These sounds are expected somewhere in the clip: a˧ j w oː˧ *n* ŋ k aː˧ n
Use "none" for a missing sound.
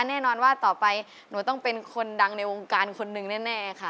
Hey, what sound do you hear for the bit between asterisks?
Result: none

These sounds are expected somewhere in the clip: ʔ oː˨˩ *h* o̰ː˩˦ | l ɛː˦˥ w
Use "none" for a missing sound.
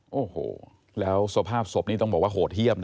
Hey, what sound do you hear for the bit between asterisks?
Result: h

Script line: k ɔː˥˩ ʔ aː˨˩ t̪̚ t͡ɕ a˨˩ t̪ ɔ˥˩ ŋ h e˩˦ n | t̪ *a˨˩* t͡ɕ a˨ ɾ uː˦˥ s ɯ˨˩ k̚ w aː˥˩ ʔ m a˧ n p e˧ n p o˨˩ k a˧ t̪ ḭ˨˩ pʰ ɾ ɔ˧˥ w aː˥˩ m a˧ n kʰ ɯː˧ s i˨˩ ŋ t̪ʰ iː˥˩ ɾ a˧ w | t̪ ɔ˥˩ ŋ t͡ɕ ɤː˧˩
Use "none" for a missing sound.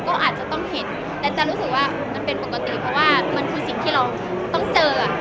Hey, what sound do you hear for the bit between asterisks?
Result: ɛ˨˩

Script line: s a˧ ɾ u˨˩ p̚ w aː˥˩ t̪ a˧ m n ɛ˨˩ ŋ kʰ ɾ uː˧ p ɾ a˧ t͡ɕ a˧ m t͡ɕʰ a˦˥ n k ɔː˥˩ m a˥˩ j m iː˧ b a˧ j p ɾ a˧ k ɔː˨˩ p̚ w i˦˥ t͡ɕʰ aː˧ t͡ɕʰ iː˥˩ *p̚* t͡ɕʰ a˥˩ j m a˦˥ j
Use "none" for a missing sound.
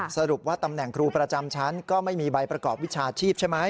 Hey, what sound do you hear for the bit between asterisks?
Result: p̚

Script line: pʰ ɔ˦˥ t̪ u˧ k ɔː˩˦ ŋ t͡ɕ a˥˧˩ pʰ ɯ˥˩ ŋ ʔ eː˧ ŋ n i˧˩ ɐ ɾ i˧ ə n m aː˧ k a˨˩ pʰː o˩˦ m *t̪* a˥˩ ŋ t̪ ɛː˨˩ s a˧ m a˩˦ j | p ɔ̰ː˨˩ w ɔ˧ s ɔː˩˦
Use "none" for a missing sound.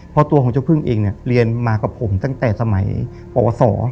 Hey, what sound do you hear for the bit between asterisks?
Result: t̪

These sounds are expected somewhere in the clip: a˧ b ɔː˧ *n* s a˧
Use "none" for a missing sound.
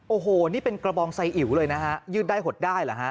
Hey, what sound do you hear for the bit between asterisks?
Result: ŋ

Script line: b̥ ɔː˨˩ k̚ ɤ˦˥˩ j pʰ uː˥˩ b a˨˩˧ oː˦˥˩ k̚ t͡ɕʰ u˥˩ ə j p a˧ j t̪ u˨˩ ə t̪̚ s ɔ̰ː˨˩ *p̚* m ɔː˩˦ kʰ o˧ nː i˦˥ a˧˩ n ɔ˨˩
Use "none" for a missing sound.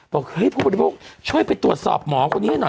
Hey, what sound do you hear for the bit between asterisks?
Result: p̚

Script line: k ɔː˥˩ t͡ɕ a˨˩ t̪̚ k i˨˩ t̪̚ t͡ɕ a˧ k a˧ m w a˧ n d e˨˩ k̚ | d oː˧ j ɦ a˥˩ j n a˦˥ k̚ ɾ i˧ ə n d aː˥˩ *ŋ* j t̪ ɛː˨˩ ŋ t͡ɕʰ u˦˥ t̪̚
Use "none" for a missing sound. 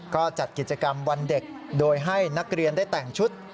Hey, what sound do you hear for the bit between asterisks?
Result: none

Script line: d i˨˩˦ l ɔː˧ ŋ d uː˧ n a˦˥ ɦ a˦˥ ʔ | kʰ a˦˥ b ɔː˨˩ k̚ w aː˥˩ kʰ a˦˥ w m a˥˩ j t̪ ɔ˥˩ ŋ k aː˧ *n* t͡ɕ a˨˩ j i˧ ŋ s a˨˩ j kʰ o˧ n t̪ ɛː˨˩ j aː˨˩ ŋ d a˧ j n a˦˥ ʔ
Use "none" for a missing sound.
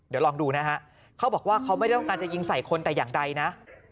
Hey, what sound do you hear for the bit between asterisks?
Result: n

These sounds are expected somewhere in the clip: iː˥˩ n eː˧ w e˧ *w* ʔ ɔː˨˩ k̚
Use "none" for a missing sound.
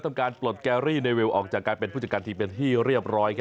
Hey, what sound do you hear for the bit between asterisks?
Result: w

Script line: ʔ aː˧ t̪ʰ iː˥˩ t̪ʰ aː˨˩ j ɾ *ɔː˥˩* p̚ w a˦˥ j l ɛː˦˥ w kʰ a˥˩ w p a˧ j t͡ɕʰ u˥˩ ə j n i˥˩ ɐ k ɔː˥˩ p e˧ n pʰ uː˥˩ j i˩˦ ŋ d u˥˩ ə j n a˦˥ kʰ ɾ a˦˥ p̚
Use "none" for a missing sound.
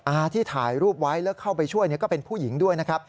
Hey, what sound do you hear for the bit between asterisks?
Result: uː˥˩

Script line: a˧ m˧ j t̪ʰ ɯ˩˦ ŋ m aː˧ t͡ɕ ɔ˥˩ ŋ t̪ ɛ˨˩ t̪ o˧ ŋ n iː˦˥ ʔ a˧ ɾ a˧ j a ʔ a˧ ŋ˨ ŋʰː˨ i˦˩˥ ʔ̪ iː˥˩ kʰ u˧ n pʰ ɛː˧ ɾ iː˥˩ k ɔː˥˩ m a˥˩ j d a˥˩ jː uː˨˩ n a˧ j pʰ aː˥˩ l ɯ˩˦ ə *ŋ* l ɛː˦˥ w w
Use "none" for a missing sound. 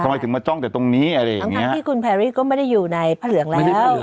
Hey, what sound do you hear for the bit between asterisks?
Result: ŋ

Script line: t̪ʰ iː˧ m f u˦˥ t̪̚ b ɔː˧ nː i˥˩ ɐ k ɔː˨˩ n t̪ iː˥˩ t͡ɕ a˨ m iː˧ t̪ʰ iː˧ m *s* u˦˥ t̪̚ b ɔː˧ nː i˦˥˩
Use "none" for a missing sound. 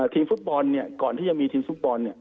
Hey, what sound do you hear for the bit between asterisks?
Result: f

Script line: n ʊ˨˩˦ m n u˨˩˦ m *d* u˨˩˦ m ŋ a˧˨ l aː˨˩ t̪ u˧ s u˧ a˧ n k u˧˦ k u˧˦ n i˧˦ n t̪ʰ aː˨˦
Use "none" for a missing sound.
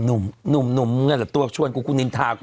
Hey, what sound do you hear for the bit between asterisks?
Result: n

